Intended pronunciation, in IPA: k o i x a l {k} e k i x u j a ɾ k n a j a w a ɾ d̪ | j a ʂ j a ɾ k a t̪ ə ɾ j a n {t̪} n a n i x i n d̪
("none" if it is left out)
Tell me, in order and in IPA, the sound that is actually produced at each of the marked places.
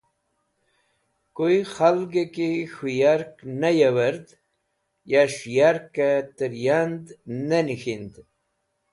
ɡ, d̪

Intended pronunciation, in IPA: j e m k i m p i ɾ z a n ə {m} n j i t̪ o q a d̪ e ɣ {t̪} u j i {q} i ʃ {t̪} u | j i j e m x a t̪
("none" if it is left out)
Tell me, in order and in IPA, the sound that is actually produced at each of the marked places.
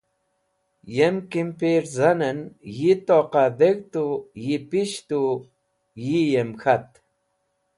none, t̪, p, t̪

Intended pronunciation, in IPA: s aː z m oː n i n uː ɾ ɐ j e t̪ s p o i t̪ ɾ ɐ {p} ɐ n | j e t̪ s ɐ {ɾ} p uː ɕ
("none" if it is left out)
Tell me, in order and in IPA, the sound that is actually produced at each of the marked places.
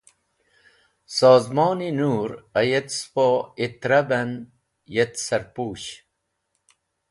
b, ɾ

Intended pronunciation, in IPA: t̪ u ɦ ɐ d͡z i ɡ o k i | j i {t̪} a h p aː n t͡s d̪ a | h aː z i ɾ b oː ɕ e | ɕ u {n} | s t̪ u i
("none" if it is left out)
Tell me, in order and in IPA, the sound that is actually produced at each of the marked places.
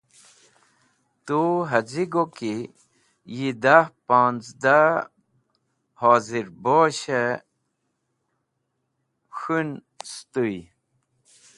d̪, n

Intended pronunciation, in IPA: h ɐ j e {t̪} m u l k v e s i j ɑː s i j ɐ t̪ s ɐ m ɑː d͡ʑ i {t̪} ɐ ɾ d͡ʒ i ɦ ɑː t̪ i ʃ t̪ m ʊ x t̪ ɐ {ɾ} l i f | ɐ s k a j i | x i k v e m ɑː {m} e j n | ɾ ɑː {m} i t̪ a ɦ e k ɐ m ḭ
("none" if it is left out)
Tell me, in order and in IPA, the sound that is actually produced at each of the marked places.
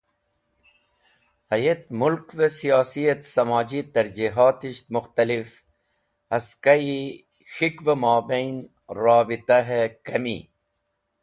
t̪, t̪, none, b, b

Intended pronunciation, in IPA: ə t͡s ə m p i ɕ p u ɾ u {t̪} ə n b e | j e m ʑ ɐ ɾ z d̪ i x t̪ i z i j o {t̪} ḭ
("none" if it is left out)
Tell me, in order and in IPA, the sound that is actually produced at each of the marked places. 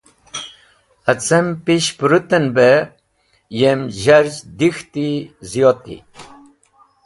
t̪, t̪

